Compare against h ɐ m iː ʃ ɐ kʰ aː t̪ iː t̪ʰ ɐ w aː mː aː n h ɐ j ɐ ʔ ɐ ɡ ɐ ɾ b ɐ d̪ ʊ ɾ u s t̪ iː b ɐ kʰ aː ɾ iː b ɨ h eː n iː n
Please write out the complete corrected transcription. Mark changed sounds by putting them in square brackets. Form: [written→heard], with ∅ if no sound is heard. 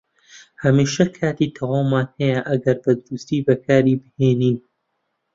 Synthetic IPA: h ɐ m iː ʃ ɐ kʰ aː t̪ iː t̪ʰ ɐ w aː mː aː n h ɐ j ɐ ʔ ɐ ɡ ɐ ɾ b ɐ d̪ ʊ ɾ u s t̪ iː b ɐ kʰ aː ɾ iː b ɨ h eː n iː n

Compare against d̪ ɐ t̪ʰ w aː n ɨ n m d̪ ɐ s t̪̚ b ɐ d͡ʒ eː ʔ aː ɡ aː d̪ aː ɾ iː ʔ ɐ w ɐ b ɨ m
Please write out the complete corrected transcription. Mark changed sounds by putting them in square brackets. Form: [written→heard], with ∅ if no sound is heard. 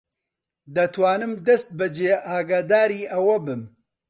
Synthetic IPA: d̪ ɐ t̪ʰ w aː n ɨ [n→∅] m d̪ ɐ s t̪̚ b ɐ d͡ʒ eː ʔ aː ɡ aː d̪ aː ɾ iː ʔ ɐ w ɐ b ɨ m

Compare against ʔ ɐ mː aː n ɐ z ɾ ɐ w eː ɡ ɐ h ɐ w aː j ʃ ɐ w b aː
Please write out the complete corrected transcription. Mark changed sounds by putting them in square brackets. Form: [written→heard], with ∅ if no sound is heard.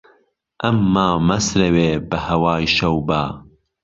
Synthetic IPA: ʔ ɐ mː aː [n→m] ɐ [z→s] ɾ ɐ w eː [ɡ→b] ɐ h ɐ w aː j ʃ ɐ w b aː

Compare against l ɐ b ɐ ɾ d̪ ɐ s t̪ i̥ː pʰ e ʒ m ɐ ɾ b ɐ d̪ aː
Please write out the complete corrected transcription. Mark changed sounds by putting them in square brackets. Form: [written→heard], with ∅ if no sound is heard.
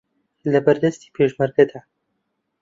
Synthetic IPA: l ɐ b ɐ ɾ d̪ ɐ s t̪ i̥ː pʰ e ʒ m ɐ ɾ [b→ɡ] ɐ d̪ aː

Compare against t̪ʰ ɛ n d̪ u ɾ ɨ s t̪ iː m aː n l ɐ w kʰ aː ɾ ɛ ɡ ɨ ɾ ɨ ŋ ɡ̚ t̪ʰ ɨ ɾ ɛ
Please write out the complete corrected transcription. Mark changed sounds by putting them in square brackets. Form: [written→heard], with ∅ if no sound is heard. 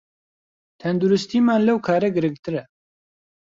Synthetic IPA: t̪ʰ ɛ n d̪ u ɾ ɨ s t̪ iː m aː n l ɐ w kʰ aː ɾ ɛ ɡ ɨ ɾ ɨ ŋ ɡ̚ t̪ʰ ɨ ɾ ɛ

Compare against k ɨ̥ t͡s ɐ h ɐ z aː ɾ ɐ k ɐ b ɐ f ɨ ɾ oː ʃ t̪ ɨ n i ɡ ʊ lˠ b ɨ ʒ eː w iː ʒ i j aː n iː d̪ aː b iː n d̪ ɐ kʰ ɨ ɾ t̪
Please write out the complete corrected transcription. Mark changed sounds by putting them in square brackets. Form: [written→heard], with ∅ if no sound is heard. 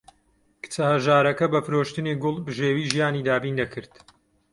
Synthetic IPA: k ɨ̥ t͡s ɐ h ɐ [z→ʒ] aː ɾ ɐ k ɐ b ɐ f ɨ ɾ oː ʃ t̪ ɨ n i ɡ ʊ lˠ b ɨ ʒ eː w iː ʒ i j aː n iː d̪ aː b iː n d̪ ɐ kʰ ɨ ɾ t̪

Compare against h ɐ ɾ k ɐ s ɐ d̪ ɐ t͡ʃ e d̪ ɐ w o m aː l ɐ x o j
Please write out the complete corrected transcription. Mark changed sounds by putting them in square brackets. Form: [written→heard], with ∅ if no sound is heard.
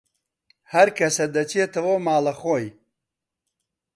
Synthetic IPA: h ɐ ɾ k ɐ s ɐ d̪ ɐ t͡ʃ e [d̪→t̪] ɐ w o m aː l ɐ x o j

